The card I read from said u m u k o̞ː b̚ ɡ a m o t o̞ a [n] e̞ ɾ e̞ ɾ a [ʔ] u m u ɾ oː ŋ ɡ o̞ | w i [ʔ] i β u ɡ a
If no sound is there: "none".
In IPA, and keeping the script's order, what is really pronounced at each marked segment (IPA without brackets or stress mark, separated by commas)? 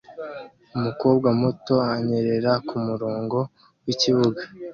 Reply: ɲ, k, c